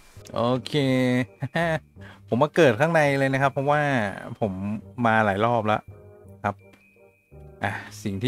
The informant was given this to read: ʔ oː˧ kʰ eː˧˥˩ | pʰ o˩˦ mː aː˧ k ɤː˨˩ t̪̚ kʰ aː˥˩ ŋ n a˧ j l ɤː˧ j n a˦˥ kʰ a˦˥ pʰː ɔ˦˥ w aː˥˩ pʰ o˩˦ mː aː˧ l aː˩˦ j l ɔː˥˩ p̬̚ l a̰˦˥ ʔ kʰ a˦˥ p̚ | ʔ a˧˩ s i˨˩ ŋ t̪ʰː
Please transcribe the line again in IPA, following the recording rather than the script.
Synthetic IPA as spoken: ʔ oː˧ kʰ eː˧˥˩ | pʰ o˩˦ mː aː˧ k ɤː˨˩ t̪̚ kʰ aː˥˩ ŋ n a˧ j l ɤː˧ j n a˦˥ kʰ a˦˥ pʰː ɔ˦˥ w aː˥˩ pʰ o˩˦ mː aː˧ l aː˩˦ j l ɔː˥˩ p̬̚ l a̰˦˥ ʔ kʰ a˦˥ p̚ | ʔ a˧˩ s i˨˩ ŋ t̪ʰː